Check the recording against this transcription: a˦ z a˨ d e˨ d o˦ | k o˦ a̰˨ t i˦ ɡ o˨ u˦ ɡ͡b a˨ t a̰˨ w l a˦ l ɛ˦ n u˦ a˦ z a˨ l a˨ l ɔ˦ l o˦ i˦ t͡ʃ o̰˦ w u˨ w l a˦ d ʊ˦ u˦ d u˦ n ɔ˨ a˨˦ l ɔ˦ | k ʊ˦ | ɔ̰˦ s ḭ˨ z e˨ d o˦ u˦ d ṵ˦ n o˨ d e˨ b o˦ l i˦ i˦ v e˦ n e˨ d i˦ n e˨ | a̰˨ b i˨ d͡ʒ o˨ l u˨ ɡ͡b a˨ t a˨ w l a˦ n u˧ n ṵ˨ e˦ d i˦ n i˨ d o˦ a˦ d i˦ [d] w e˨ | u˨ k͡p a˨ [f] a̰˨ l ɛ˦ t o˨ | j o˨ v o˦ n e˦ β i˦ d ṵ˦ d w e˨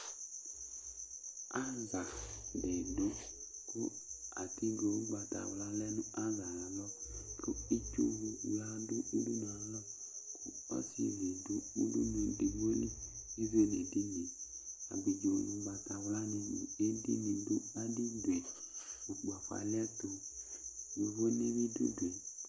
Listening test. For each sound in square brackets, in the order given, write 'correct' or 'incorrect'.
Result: correct, correct

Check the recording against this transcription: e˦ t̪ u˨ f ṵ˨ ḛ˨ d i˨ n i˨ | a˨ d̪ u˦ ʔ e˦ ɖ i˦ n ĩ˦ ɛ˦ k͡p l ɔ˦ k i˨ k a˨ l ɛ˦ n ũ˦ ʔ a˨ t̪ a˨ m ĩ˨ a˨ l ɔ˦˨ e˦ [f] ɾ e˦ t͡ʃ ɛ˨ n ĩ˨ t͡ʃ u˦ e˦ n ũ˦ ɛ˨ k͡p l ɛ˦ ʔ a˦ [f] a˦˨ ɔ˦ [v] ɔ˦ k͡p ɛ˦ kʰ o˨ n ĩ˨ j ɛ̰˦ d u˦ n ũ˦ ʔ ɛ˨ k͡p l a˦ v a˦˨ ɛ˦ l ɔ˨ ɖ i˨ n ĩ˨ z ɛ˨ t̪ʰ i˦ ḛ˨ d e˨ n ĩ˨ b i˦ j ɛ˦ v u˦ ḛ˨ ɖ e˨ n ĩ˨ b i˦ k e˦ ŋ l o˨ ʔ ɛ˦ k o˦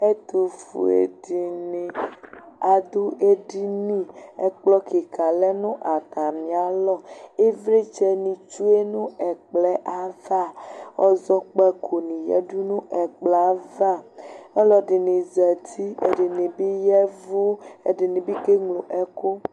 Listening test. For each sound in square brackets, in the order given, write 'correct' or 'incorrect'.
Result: incorrect: v, incorrect: v, incorrect: z

